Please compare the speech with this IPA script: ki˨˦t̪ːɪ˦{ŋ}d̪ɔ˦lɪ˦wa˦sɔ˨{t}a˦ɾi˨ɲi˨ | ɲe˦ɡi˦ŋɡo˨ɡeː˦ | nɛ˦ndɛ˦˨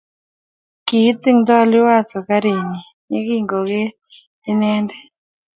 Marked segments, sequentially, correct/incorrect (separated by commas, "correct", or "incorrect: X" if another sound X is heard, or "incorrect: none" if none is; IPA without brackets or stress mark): correct, incorrect: k